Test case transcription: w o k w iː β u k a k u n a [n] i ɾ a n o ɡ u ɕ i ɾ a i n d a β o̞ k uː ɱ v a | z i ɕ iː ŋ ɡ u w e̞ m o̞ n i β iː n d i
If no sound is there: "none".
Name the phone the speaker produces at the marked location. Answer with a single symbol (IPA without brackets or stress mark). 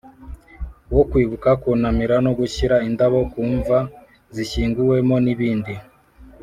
m